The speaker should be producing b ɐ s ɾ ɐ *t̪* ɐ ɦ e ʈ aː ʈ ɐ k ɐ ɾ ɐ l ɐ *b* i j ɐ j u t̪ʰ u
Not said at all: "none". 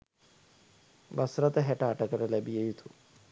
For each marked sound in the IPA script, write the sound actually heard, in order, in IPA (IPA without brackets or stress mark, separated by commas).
t̪, b